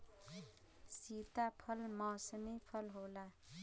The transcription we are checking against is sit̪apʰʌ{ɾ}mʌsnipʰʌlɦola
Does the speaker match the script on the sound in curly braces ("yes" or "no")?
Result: no